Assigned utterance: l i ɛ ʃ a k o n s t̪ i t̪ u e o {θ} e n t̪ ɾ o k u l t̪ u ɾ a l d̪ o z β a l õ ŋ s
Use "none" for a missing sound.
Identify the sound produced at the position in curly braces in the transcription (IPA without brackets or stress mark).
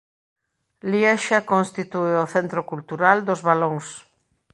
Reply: θ